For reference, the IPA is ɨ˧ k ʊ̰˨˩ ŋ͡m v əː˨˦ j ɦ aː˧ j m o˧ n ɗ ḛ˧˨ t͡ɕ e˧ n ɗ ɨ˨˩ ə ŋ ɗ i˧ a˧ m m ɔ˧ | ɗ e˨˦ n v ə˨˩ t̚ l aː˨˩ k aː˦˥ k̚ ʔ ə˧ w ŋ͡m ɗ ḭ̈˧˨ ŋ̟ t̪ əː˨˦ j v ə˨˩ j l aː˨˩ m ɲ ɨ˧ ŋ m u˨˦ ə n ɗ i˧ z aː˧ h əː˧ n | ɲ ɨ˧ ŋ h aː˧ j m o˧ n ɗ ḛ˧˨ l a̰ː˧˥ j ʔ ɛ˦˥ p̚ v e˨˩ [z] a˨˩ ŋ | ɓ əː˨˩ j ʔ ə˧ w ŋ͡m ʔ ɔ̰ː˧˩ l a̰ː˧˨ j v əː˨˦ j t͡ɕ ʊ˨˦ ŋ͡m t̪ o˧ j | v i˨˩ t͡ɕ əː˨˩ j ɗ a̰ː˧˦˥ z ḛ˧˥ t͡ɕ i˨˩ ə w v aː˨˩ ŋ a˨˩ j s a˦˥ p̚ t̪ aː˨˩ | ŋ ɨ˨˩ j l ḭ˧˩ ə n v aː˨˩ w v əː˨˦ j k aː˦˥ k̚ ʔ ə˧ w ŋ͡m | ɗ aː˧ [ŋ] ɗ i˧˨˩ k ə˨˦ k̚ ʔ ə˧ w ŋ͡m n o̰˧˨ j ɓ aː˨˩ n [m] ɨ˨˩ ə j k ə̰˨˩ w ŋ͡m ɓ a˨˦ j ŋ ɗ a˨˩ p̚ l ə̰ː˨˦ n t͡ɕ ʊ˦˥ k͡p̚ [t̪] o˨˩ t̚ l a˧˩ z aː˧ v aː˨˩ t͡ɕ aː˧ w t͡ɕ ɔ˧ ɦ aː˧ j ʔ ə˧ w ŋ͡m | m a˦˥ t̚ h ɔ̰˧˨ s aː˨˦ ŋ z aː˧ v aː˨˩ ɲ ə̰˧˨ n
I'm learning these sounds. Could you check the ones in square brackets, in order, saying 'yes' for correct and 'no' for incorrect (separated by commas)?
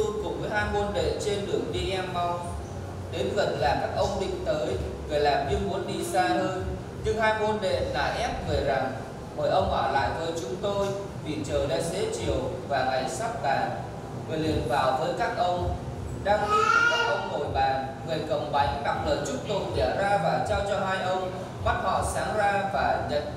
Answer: yes, yes, no, yes